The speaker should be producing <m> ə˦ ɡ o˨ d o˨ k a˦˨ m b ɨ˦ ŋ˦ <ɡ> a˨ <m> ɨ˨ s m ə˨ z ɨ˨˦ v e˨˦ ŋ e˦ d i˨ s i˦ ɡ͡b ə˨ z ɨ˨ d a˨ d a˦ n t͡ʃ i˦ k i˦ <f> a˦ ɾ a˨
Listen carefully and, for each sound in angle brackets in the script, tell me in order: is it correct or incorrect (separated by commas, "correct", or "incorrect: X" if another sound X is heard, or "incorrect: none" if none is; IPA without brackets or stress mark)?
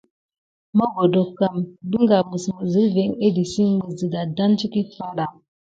correct, correct, correct, correct